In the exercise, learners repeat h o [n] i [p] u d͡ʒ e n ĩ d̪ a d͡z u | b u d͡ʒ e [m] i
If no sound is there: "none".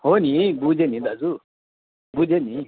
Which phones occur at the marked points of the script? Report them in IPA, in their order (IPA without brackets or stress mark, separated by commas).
n, b, n